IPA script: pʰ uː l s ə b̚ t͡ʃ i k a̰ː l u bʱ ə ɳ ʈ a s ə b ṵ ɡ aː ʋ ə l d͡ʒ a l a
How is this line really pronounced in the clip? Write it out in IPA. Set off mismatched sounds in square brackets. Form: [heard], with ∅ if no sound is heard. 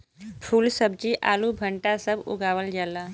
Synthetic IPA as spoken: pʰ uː l s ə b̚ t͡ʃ i [ʔ] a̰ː l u bʱ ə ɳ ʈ a s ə b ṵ ɡ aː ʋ ə l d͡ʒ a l a